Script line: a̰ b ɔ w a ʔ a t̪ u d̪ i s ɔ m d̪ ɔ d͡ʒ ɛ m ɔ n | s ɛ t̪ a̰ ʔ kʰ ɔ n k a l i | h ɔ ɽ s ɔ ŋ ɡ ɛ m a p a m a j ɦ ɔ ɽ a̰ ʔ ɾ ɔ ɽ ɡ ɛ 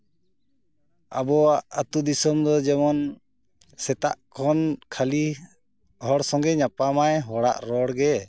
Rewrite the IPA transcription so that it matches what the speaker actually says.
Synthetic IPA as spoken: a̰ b ɔ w a ʔ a t̪ u d̪ i s ɔ m d̪ ɔ d͡ʒ ɛ m ɔ n | s ɛ t̪ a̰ ʔ kʰ ɔ n kʰ a l i | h ɔ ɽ s ɔ ŋ ɡ ɛ ɲ a p a m a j ɦ ɔ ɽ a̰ ʔ ɾ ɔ ɽ ɡ ɛ